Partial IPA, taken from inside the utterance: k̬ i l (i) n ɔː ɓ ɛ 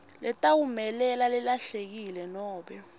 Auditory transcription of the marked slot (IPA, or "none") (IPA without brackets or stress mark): ɛ